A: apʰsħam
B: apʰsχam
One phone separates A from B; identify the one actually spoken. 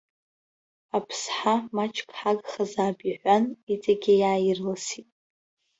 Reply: A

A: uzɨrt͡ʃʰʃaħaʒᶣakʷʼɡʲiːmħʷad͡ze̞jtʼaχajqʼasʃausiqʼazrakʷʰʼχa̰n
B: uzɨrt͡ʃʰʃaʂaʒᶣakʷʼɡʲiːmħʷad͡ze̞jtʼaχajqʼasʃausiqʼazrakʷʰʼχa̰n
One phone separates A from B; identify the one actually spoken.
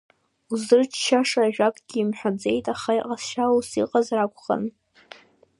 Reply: B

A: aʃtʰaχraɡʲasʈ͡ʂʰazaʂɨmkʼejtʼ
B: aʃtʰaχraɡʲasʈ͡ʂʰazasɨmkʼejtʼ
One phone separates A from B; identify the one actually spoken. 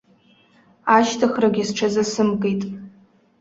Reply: B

